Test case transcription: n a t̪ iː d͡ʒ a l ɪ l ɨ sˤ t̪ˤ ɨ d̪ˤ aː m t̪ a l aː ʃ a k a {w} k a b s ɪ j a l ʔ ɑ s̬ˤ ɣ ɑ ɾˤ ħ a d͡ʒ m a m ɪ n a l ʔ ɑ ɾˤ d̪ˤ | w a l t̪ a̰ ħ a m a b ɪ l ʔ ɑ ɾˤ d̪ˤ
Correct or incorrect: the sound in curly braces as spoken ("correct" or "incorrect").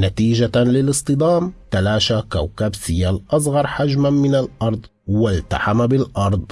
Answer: correct